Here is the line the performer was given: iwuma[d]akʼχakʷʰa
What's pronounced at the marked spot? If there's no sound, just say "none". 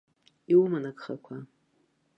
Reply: n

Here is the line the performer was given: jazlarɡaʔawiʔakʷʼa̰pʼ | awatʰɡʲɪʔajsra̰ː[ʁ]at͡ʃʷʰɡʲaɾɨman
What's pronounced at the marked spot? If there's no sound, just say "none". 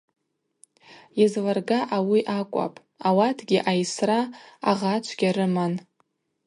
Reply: ʁ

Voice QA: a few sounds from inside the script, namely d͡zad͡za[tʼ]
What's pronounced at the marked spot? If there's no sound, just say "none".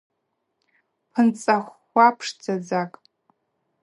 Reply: kʼ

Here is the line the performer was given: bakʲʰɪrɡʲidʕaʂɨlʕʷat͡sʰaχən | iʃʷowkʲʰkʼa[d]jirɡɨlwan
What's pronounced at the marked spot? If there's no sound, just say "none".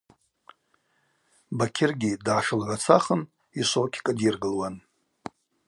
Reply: d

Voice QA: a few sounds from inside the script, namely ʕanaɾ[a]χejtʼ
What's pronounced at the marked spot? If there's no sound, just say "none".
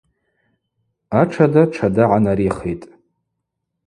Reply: i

